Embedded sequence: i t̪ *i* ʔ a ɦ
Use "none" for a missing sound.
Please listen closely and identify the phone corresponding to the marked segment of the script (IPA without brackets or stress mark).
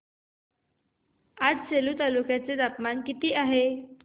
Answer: iː